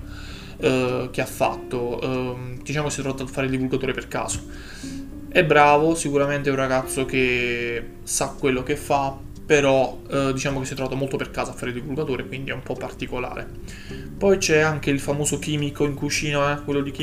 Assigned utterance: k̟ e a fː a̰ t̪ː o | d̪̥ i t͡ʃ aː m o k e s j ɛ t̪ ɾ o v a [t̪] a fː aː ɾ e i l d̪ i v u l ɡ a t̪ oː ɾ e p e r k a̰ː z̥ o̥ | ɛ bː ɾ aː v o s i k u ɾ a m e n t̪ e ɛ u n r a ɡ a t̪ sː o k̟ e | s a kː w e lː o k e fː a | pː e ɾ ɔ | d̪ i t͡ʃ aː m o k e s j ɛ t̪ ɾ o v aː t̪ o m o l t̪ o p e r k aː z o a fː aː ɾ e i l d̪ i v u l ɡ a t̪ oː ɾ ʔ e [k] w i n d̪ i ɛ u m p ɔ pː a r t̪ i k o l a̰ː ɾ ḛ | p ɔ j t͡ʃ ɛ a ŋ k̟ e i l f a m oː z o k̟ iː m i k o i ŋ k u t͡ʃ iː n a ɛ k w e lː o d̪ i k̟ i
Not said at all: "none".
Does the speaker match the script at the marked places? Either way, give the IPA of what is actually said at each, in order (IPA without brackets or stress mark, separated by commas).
t̪, k